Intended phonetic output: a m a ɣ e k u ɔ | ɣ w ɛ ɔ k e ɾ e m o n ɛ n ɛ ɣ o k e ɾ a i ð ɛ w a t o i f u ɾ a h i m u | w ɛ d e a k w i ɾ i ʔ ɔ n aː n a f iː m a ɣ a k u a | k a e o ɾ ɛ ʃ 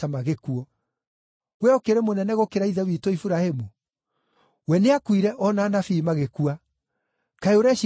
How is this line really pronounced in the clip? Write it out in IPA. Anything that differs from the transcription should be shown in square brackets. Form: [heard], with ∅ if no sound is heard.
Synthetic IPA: a m a ɣ e k u ɔ | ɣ w ɛ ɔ k e ɾ e m o n ɛ n ɛ ɣ o k e ɾ a i ð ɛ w [i] t o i f u ɾ a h [e] m u | w ɛ [n] e a k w i ɾ [ɛ] ʔ ɔ n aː n a f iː m a ɣ [e] k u a | k a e o ɾ ɛ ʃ